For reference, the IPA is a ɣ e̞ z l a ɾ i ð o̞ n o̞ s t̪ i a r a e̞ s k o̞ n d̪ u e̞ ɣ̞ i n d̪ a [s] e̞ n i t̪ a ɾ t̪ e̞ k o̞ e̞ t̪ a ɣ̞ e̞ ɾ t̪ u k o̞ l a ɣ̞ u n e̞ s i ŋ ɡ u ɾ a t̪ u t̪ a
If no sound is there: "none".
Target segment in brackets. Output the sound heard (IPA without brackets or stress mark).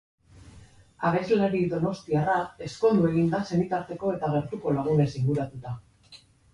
s